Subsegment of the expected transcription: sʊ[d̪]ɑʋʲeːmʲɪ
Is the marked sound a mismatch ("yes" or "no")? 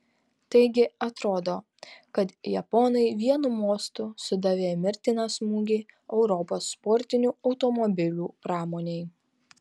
no